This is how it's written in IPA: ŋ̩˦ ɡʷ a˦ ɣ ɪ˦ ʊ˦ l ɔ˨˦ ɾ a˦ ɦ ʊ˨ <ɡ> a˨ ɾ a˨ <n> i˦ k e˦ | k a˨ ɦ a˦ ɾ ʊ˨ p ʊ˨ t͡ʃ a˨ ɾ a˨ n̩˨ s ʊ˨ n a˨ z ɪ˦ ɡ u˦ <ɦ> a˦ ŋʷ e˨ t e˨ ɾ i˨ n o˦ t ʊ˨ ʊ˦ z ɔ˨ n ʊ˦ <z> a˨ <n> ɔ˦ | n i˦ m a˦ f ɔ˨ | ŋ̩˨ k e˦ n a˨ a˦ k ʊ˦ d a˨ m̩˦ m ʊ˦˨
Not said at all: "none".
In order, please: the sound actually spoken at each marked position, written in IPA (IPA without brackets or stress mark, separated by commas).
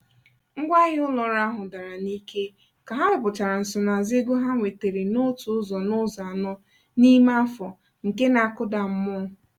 d, n, ɦ, z, n